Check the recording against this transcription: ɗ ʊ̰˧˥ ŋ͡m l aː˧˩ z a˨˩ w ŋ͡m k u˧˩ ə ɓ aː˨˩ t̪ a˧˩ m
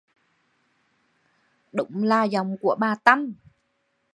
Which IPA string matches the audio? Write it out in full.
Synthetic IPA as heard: ɗ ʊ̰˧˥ ŋ͡m l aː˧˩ z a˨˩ w ŋ͡m k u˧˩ ə ɓ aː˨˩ t̪ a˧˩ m